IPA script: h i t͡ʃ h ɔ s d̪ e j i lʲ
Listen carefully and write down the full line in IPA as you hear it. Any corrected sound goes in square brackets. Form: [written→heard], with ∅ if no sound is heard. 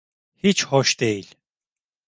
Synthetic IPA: h i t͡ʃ h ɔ [s→ʃ] d̪ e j i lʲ